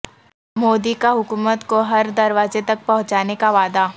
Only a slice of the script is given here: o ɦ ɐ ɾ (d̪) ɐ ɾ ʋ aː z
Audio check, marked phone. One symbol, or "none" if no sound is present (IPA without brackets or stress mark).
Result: d̪